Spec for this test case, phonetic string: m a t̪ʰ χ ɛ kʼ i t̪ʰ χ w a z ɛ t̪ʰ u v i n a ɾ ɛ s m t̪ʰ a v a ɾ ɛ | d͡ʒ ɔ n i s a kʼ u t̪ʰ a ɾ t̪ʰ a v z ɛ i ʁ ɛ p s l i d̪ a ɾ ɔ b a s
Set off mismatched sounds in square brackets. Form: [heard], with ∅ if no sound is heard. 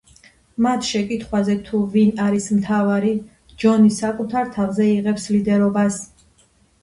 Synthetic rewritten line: m a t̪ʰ [ʃ] ɛ kʼ i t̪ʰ χ w a z ɛ t̪ʰ u v i n a ɾ [i] s m t̪ʰ a v a ɾ [i] | d͡ʒ ɔ n i s a kʼ u t̪ʰ a ɾ t̪ʰ a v z ɛ i ʁ ɛ p s l i d̪ [ɛ] ɾ ɔ b a s

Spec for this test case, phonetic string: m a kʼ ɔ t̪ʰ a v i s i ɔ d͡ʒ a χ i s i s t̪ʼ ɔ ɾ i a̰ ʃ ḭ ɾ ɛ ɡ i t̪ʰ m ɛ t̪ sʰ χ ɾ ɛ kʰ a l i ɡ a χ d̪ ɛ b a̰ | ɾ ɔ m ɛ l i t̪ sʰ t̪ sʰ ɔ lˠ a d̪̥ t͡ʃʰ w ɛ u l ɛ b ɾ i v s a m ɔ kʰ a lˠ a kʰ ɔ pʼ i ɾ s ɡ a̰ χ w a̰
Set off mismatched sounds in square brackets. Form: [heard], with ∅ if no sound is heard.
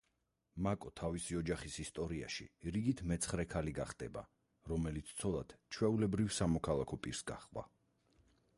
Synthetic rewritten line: m a kʼ ɔ t̪ʰ a v i s i ɔ d͡ʒ a χ i s i s t̪ʼ ɔ ɾ i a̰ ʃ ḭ ɾ [i] ɡ i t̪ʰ m ɛ t̪ sʰ χ ɾ ɛ kʰ a l i ɡ a χ d̪ ɛ b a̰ | ɾ ɔ m ɛ l i t̪ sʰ t̪ sʰ ɔ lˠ a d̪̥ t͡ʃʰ w ɛ u l ɛ b ɾ i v s a m ɔ kʰ a lˠ a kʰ ɔ pʼ i ɾ s ɡ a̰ χ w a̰

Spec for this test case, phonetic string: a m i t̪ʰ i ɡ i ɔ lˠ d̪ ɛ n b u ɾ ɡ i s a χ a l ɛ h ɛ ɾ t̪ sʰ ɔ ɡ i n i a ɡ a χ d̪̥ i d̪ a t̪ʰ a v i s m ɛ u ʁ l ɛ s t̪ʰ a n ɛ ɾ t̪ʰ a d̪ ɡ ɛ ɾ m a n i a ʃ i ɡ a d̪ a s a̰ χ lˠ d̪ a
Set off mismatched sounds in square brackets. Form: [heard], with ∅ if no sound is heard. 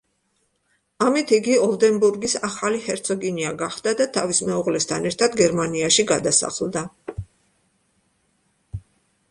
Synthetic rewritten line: a m i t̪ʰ i ɡ i ɔ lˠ d̪ ɛ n b u ɾ ɡ i s a χ a l [i] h ɛ ɾ t̪ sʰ ɔ ɡ i n i a ɡ a χ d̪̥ [a] d̪ a t̪ʰ a v i s m ɛ u ʁ l ɛ s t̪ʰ a n ɛ ɾ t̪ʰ a d̪ ɡ ɛ ɾ m a n i a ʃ i ɡ a d̪ a s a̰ χ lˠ d̪ a

